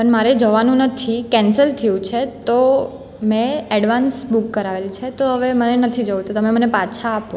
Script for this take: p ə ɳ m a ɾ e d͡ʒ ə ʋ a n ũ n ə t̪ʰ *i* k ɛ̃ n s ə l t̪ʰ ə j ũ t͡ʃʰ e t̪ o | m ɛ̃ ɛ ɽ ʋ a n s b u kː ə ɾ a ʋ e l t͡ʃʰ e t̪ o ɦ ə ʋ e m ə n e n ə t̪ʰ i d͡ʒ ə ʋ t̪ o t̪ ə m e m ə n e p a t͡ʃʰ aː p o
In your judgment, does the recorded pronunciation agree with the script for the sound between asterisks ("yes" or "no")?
yes